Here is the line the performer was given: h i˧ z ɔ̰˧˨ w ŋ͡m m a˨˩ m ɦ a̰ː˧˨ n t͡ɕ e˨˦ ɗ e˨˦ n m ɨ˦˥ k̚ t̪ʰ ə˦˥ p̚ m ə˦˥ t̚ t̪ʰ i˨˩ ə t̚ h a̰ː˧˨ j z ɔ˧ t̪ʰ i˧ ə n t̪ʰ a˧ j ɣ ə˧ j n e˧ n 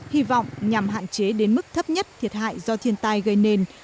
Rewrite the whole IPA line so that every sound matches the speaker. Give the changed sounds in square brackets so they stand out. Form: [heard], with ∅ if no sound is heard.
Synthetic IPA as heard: h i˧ [v] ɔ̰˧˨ w ŋ͡m [ɲ] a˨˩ m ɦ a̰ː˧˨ n t͡ɕ e˨˦ ɗ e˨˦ n m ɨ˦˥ k̚ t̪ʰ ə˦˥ p̚ [ɲ] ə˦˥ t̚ t̪ʰ i˨˩ ə t̚ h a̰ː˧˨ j z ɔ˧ t̪ʰ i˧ ə n [t̪] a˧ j ɣ ə˧ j n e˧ n